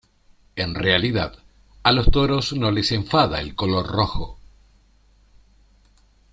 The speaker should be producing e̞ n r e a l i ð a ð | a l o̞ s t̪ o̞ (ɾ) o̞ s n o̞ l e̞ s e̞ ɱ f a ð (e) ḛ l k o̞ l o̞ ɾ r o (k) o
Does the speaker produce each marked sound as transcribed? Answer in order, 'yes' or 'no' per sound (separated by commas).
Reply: yes, no, no